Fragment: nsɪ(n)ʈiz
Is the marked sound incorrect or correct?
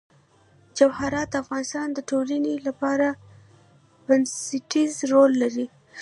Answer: incorrect